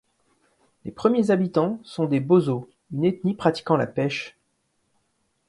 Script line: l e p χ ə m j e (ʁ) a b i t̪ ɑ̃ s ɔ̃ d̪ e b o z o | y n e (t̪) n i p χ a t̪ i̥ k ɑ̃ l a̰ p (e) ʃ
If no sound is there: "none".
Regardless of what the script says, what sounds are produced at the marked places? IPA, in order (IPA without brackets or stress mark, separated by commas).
z, t̪, ɛ